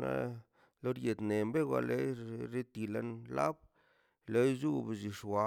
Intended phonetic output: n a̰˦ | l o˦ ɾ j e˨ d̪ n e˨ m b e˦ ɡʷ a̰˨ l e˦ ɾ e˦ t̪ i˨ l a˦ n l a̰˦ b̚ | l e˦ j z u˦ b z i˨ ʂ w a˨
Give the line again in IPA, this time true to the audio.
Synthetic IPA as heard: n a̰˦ | l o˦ ɾ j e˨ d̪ n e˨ m b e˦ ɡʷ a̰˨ l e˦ ɾ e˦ t̪ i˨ l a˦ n l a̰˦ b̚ | l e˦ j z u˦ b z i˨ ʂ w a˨